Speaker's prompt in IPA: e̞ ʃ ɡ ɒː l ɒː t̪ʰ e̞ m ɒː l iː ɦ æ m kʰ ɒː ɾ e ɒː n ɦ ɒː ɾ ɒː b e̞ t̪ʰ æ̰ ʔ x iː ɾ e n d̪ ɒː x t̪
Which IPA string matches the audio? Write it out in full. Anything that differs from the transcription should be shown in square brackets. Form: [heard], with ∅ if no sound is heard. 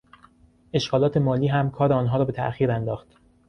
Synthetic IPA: e̞ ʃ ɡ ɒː l ɒː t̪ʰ e̞ m ɒː l iː ɦ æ m kʰ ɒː ɾ e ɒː n ɦ ɒː ɾ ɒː b e̞ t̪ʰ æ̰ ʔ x iː ɾ [æ] n d̪ ɒː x t̪